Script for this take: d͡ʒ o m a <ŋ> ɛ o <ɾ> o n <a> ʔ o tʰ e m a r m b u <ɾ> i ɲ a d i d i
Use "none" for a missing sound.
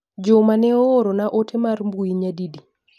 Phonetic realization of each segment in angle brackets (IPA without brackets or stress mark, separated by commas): n, ɾ, a, none